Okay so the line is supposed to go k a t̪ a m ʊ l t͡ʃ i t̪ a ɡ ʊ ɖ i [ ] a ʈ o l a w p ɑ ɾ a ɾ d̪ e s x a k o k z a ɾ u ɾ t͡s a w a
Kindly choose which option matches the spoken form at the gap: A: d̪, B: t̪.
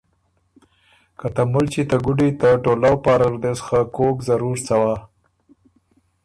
B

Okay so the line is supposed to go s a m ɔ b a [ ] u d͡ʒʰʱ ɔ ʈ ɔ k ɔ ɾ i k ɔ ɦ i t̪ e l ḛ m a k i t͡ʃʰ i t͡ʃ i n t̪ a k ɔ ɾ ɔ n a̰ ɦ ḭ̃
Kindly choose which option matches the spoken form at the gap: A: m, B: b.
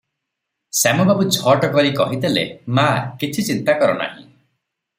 B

